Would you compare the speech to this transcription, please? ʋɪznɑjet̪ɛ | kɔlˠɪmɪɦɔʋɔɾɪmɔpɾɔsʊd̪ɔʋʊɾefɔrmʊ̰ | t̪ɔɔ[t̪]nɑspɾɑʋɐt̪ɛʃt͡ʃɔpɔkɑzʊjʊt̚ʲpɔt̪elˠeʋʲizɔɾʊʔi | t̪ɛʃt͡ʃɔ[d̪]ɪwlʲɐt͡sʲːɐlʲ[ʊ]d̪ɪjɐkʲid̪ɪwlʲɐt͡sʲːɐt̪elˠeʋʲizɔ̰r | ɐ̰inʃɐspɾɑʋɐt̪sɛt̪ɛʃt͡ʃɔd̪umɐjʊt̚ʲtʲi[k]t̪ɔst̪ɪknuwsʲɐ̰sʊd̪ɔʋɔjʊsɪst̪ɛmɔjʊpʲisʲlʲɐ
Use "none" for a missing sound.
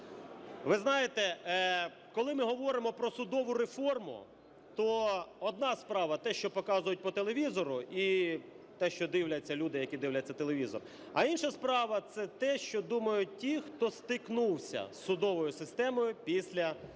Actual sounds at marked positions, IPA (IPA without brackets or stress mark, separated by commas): d̪, d̪, u, x